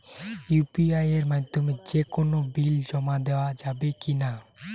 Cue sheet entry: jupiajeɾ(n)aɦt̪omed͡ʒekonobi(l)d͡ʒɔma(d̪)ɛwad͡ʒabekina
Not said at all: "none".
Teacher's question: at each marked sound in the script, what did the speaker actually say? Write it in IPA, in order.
m, l, d̪

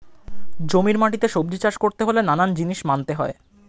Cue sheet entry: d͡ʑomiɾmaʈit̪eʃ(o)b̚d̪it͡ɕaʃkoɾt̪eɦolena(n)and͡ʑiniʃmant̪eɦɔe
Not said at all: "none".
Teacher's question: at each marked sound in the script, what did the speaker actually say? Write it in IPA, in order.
o, n

